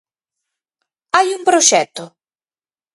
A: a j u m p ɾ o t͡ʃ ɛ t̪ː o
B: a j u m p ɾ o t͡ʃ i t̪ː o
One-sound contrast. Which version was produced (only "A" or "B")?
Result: A